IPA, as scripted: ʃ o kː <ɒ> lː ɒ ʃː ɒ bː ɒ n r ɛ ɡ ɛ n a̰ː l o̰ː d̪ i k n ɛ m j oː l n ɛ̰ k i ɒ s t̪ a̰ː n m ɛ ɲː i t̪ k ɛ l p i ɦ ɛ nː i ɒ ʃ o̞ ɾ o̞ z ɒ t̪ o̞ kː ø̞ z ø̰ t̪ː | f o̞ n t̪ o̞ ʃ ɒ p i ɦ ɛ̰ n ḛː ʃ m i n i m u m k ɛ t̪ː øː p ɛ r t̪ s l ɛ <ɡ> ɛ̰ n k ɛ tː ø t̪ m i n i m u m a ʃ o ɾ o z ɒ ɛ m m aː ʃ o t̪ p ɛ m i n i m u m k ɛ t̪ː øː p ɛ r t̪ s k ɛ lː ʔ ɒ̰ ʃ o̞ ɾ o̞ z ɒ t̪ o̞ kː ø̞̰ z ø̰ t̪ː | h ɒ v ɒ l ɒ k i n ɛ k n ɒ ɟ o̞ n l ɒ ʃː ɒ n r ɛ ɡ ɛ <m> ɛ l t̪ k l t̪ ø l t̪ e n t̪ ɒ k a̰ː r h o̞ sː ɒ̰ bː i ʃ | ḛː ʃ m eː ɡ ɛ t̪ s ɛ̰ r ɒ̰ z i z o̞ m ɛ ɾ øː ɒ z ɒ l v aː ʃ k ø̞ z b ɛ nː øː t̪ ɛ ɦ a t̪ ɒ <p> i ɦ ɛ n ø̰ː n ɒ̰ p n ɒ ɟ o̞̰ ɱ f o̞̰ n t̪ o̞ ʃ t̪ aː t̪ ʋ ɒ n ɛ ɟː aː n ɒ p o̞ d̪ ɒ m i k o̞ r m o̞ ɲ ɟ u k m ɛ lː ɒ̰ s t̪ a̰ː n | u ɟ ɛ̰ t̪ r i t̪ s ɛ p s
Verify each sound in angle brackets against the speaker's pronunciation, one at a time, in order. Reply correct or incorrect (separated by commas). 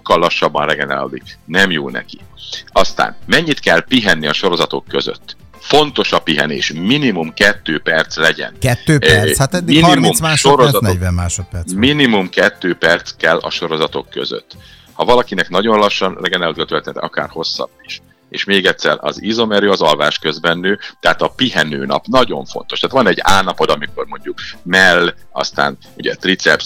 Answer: correct, incorrect, incorrect, correct